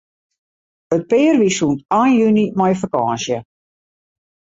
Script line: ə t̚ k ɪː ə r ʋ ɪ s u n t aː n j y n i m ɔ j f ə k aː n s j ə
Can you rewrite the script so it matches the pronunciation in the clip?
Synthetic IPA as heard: ə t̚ p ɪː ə r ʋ i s u n t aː n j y n i m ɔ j f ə k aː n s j ə